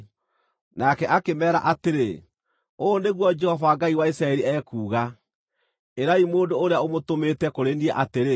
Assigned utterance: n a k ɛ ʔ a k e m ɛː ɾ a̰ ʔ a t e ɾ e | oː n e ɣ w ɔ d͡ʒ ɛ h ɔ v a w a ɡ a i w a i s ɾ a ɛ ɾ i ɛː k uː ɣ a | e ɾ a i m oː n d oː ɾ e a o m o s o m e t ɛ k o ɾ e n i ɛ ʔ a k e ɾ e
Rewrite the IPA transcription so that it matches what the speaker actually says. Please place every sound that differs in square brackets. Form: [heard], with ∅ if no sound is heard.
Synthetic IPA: n a k ɛ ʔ a k e m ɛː ɾ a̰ ʔ a t e ɾ e | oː n e ɣ w ɔ d͡ʒ ɛ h ɔ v a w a ɡ a i w a i s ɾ a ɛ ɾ i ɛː k uː ɣ a | e ɾ a i m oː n d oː ɾ e a o m o [t] o m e t ɛ k o ɾ e n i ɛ ʔ a [t] e ɾ e